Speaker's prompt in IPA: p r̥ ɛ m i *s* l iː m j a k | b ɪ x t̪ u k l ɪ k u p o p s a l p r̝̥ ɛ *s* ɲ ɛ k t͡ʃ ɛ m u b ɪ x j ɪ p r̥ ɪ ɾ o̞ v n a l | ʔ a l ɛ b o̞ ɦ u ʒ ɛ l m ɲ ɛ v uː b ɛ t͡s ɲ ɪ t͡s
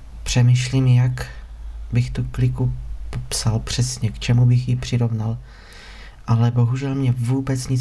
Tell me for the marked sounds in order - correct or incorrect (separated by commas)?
incorrect, correct